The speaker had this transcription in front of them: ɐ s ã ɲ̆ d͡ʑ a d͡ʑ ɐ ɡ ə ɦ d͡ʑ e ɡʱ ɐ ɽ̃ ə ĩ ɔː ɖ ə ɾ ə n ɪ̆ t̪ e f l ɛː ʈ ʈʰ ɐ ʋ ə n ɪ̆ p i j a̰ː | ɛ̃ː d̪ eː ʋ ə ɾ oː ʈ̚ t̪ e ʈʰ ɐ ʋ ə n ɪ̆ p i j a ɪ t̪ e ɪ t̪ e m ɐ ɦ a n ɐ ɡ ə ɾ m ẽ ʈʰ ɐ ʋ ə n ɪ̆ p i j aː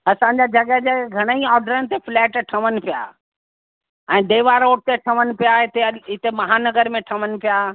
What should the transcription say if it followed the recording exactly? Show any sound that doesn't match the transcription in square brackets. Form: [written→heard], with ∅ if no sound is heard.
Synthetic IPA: ɐ s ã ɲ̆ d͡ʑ a d͡ʑ ɐ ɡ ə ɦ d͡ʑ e ɡʱ ɐ ɽ̃ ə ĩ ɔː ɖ ə ɾ ə n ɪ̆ t̪ e f l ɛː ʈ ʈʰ ɐ ʋ ə n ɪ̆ p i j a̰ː | ɛ̃ː d̪ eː ʋ [ə→a] ɾ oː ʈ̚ t̪ e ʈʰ ɐ ʋ ə n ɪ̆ p i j a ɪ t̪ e ɪ t̪ e m ɐ ɦ a n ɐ ɡ ə ɾ m ẽ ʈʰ ɐ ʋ ə n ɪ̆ p i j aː